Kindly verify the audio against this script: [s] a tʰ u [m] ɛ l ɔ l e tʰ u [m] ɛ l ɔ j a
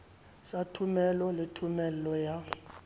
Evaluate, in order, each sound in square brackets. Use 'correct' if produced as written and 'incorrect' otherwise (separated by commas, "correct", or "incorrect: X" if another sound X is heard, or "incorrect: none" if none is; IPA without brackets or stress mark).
correct, correct, correct